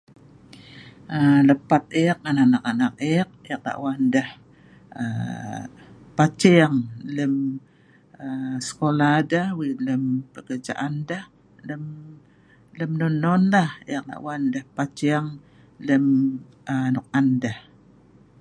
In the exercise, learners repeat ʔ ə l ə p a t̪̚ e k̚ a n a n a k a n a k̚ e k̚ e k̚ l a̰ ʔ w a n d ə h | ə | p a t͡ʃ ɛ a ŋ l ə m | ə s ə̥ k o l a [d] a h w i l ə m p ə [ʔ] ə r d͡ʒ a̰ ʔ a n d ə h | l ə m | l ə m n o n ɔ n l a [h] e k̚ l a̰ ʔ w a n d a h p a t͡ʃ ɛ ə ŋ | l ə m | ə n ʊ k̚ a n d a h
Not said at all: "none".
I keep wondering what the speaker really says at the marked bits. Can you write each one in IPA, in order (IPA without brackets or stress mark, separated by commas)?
d, k, h